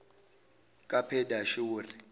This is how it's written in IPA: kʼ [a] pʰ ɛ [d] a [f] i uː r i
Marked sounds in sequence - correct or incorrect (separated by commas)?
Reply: correct, correct, incorrect